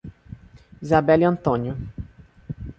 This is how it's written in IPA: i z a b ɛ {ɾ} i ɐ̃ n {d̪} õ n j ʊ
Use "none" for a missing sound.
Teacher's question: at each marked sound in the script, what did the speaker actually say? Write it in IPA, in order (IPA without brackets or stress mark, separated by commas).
l, t̪